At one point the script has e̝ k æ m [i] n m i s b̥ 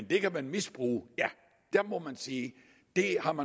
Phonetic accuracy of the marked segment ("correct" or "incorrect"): incorrect